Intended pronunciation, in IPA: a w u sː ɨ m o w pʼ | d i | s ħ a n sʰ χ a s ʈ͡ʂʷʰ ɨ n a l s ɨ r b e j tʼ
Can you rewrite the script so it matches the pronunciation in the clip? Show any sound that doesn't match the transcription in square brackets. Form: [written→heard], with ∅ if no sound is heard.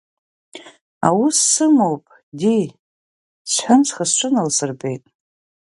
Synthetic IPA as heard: a w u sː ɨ m o w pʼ | d i | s ħ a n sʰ χ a s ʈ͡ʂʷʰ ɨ n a l s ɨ r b e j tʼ